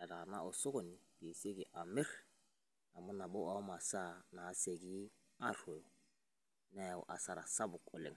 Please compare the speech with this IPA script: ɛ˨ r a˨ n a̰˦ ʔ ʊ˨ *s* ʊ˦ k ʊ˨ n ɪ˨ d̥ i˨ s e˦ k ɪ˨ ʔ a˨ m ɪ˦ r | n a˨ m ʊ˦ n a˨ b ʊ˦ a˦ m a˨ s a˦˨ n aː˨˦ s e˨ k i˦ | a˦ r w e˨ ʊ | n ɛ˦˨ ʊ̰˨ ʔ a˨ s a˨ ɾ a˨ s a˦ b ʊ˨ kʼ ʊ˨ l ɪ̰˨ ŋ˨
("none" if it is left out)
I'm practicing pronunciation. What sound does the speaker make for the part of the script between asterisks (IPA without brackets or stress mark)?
s